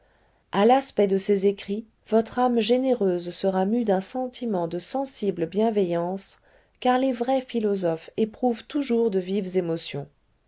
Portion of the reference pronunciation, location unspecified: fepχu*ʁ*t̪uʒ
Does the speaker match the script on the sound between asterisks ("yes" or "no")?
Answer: no